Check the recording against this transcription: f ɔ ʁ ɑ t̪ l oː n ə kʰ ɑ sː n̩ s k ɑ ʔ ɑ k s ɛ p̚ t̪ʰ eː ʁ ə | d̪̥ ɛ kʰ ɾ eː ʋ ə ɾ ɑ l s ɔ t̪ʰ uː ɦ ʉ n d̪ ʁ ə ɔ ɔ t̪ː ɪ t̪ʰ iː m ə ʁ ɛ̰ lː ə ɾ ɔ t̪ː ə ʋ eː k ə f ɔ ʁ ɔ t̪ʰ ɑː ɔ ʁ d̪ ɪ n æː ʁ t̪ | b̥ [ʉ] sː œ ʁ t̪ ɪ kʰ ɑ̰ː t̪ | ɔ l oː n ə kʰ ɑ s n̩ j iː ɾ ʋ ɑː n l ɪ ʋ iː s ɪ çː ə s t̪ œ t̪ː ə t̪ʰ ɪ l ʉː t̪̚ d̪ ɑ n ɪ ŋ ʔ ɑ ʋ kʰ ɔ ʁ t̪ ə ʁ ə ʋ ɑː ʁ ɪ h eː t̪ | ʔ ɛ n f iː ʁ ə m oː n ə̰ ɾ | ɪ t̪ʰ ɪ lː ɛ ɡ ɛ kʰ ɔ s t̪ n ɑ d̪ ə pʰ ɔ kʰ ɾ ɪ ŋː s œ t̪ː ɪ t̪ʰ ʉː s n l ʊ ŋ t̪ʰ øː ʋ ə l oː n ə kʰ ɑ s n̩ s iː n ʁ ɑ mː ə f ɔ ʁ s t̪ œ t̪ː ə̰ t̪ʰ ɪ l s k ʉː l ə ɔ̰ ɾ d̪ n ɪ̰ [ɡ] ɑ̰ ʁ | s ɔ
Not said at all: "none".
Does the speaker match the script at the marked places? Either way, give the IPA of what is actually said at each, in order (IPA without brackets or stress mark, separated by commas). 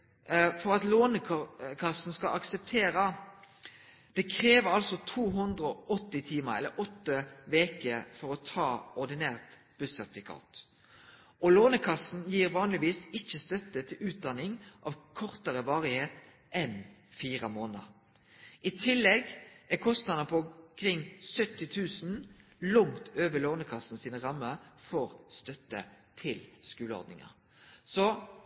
ʉ, ŋ